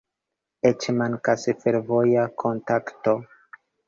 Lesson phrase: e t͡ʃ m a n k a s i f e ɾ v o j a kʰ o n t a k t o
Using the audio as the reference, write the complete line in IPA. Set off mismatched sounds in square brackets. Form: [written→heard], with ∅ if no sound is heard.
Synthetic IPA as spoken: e t͡ʃ m a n k a s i f e ɾ v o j a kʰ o n t a k t o